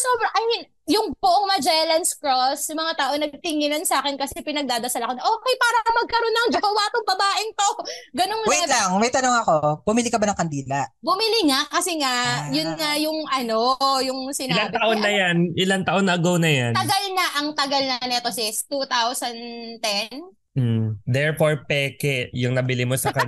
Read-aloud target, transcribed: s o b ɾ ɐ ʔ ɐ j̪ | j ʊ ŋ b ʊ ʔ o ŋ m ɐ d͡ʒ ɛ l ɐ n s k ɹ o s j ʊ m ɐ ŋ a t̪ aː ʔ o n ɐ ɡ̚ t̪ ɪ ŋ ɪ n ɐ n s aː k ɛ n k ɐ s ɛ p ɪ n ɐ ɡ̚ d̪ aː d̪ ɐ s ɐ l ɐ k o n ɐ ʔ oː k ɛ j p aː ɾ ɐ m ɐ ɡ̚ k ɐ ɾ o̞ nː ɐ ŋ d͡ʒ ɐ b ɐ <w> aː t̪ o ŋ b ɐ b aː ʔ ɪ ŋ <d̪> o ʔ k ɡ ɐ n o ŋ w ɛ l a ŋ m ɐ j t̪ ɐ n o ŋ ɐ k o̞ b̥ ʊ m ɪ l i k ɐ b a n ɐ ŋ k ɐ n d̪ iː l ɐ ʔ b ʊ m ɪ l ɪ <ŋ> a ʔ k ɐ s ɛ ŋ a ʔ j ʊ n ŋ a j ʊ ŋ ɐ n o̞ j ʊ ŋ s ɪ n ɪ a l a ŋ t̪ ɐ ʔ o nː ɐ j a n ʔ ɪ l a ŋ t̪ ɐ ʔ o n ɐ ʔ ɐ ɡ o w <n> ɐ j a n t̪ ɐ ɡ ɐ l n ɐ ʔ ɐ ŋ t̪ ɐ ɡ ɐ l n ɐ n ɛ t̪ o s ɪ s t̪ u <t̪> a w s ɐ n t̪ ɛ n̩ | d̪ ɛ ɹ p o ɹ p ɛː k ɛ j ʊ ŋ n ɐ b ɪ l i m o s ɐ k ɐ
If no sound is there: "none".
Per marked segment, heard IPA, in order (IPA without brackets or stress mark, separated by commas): w, t̪, ŋ, n, t̪